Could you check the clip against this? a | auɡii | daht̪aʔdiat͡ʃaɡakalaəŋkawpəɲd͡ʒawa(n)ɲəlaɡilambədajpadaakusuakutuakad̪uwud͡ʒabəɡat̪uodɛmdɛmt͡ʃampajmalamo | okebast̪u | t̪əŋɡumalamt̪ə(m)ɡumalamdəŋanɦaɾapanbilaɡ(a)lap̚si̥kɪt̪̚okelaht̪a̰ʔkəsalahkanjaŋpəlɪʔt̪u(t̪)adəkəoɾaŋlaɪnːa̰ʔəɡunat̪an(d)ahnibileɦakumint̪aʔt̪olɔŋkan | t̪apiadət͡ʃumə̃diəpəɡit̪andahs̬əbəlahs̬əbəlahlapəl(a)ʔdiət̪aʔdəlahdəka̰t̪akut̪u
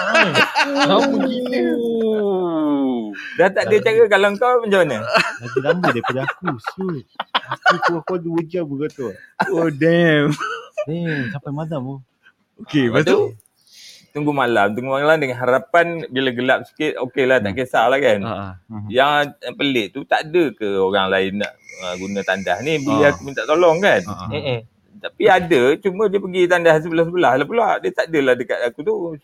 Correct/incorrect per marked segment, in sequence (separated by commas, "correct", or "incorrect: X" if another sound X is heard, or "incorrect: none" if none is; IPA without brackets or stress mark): correct, incorrect: ŋ, incorrect: ə, correct, correct, correct